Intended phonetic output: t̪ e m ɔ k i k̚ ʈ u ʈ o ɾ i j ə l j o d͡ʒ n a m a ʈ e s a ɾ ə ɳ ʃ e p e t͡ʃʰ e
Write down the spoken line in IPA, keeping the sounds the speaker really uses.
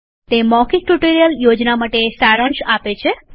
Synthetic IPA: t̪ e m ɔ k i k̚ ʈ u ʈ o ɾ i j ə l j o d͡ʒ n a m a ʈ e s a ɾ ə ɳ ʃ a p e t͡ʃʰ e